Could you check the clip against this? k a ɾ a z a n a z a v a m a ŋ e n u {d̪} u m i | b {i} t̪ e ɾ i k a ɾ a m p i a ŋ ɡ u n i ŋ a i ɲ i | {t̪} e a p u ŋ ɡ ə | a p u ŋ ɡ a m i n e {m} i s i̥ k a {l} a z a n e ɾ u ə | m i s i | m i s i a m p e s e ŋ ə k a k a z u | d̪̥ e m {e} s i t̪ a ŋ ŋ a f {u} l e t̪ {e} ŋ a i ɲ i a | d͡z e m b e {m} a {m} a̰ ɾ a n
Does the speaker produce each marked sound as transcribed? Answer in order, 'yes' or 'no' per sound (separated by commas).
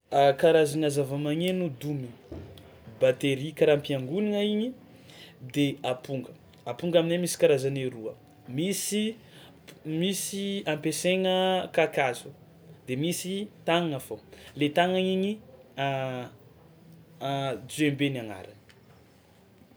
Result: yes, no, no, yes, no, no, no, no, no, no